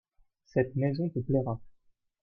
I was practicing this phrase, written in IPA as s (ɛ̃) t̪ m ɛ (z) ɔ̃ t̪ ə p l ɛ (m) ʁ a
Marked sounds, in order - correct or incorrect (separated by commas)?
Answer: incorrect, correct, incorrect